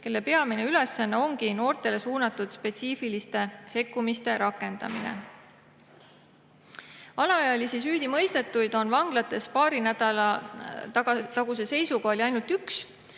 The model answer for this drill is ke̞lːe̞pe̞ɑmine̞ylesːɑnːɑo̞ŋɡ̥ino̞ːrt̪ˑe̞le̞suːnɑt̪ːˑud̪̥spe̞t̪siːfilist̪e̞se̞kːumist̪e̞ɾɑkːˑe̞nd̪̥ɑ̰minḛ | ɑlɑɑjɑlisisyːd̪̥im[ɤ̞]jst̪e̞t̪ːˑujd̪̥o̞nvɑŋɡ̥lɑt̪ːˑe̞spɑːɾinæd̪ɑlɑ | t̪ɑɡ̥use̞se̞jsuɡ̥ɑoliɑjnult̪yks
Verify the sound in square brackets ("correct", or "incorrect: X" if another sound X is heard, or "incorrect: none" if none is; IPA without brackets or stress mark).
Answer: correct